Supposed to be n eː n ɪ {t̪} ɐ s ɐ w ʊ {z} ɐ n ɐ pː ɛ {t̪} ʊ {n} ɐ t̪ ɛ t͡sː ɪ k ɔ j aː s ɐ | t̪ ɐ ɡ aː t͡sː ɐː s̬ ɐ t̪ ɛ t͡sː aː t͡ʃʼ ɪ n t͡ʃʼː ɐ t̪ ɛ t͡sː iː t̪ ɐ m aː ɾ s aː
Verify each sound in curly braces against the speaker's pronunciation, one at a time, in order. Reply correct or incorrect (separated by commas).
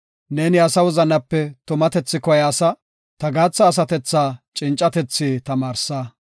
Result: incorrect, correct, correct, incorrect